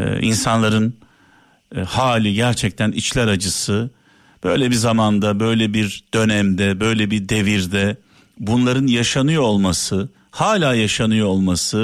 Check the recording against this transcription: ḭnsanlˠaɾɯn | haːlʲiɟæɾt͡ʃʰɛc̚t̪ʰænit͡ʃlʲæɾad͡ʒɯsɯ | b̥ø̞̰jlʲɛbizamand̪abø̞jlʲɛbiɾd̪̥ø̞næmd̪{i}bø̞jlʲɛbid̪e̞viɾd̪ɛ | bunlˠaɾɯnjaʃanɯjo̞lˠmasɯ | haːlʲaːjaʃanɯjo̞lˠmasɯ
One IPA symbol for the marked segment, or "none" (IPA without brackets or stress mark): ɛ